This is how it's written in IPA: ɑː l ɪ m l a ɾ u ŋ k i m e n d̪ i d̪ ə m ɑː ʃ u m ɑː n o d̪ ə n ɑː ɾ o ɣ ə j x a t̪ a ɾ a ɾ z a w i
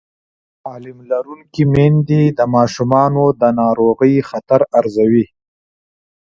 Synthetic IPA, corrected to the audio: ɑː l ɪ m l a ɾ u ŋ k i m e n d̪ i d̪ ə m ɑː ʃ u m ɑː n o d̪ ə n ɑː ɾ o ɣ ə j x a t̪ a ɾ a ɾ z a w i